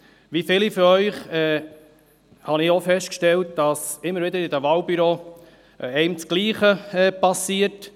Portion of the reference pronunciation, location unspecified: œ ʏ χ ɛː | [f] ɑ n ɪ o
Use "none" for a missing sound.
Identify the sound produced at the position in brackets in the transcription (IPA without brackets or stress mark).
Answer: h